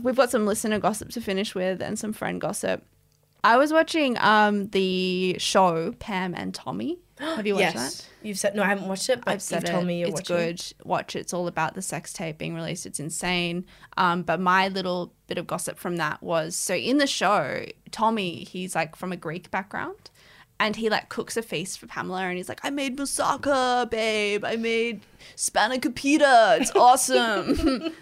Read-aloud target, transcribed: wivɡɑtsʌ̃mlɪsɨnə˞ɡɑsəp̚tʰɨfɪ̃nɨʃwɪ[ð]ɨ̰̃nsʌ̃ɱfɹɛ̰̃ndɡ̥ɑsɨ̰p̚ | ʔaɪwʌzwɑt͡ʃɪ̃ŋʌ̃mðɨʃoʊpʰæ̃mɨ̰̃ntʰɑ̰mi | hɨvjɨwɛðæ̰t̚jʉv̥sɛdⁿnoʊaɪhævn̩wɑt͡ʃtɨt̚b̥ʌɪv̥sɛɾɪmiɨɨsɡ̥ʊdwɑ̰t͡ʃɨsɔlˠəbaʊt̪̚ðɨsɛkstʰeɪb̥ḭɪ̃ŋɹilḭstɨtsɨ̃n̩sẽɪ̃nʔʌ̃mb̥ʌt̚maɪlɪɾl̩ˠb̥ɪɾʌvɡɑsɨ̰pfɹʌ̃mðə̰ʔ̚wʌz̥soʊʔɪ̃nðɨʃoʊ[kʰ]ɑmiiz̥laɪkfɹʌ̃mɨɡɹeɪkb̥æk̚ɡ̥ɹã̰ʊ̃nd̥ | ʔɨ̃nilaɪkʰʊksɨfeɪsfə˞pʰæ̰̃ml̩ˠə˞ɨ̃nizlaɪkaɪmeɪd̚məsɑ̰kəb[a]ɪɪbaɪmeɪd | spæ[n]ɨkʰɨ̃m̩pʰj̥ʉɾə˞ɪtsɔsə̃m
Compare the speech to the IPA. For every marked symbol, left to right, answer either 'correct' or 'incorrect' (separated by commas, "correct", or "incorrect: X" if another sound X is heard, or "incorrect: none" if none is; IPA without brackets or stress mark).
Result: correct, incorrect: tʰ, incorrect: e, correct